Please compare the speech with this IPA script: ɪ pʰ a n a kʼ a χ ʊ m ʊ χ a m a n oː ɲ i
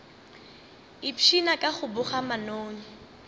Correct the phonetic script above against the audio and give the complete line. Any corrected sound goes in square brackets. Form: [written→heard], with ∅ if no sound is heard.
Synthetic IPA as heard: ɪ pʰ [a→i] n a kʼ a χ ʊ [m→b] ʊ χ a m a n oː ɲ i